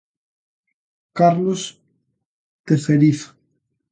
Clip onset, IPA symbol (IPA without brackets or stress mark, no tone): k